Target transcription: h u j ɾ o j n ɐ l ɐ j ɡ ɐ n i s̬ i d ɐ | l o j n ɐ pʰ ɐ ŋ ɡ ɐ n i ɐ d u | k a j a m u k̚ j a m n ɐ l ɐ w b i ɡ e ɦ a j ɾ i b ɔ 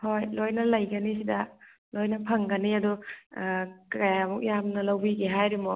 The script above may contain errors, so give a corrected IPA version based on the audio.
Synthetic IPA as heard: h o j l o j n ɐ l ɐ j ɡ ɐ n i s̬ i d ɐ | l o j n ɐ pʰ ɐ ŋ ɡ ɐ n i ɐ d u | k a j a m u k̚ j a m n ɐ l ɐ w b i ɡ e ɦ a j ɾ i m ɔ